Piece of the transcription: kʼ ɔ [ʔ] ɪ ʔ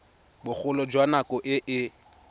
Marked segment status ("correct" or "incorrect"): correct